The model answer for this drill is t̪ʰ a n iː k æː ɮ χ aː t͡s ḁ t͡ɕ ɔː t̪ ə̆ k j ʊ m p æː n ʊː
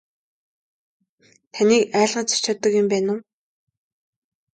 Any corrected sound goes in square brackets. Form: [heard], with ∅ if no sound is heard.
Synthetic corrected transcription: t̪ʰ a n iː k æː ɮ [ʁ] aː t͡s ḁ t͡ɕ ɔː t̪ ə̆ k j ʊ m p æː n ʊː